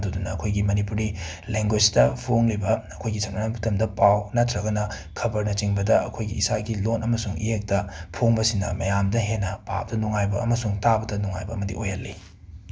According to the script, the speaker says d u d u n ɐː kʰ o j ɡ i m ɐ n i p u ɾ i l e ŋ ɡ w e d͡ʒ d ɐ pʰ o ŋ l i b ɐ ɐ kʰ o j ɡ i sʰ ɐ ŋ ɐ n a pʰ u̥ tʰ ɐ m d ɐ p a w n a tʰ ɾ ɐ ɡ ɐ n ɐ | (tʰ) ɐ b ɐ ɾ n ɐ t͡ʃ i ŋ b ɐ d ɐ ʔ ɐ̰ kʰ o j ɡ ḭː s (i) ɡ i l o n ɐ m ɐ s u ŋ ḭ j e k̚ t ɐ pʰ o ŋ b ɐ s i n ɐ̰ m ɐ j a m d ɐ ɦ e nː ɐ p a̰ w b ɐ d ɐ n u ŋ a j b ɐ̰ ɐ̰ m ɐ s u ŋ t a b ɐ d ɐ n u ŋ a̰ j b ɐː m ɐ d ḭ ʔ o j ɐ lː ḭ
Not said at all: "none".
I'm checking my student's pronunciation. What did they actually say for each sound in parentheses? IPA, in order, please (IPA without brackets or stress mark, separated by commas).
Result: kʰ, a